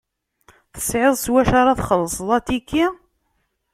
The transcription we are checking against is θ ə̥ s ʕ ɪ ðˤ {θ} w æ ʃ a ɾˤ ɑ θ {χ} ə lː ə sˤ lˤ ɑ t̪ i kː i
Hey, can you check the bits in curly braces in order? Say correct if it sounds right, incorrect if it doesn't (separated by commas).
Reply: incorrect, correct